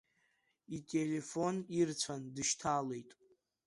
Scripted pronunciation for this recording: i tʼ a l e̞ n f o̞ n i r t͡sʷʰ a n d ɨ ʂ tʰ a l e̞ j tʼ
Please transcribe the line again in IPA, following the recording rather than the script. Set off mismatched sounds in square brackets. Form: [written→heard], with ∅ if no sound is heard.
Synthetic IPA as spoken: i tʼ [a→e] l e̞ [n→∅] f o̞ n i r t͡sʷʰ a n d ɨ [ʂ→ʃ] tʰ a l e̞ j tʼ